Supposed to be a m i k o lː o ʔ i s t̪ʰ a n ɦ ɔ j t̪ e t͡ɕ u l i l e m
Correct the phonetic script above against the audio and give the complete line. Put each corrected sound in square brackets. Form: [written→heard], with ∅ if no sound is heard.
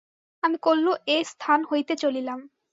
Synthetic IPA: a m i k o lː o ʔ [i→e] s t̪ʰ a n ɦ [ɔ→o] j t̪ e t͡ɕ [u→o] l i l [e→a] m